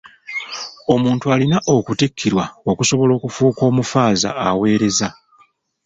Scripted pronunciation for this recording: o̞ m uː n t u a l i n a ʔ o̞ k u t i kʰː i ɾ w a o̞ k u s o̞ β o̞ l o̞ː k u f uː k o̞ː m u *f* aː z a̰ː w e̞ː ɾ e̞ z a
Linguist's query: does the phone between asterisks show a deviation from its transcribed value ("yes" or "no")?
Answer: no